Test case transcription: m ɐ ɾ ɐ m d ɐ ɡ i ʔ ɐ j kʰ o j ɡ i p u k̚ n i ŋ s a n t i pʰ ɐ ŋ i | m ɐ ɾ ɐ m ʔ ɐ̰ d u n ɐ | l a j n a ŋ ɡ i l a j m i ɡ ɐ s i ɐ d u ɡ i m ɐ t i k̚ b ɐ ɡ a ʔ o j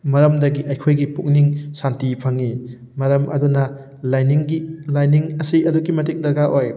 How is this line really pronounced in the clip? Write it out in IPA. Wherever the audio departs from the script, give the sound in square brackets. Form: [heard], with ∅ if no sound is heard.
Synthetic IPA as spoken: m ɐ ɾ ɐ m d ɐ ɡ i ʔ ɐ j kʰ o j ɡ i p u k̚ n i ŋ s a n t i pʰ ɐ ŋ i | m ɐ ɾ ɐ m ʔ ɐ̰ d u n ɐ | l a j n [i] ŋ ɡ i l a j [n] i [ŋ] ɐ s i ɐ d u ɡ i m ɐ t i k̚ [d] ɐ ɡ a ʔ o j